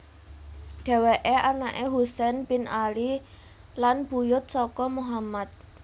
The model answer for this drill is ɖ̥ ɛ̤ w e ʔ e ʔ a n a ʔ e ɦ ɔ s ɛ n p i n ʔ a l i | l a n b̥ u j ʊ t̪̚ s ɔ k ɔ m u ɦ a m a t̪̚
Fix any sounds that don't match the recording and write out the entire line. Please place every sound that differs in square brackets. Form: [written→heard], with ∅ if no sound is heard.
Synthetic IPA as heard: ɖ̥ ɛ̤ w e ʔ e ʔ a n a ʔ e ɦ [ɔ→u] s ɛ n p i n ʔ a l i | l a n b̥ u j ʊ t̪̚ s ɔ k ɔ m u ɦ a m a t̪̚